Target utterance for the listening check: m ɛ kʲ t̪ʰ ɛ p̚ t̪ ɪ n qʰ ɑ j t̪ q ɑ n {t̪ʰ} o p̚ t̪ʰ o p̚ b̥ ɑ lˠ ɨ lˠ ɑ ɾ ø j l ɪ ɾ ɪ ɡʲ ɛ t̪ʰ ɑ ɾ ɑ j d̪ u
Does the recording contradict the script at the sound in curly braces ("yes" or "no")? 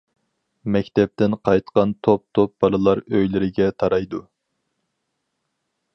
no